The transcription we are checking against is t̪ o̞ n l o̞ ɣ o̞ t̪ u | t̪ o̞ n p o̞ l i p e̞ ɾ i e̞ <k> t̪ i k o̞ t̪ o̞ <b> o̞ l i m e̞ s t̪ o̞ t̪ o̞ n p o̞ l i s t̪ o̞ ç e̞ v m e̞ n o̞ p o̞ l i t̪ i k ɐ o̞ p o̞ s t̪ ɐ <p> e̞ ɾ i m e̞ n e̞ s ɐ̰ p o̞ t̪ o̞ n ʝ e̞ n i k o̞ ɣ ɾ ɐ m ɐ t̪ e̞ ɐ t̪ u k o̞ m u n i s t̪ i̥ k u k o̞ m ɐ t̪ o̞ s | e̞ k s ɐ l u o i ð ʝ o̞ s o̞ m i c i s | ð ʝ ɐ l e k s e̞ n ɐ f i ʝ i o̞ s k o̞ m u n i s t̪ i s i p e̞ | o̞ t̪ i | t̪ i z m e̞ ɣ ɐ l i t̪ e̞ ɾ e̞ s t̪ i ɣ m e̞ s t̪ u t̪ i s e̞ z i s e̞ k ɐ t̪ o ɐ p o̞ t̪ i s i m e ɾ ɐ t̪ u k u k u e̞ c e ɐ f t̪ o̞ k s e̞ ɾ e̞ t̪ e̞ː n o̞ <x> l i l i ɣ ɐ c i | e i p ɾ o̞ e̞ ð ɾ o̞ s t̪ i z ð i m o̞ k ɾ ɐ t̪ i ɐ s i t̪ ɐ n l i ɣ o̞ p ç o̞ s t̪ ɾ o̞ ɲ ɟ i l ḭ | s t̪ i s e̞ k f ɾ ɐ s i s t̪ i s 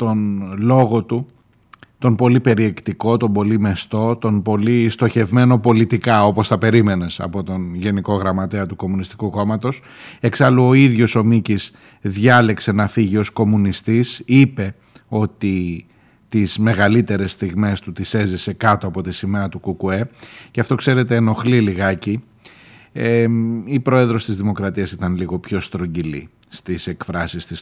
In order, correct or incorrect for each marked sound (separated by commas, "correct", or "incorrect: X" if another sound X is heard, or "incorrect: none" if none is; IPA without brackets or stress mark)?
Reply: correct, correct, correct, correct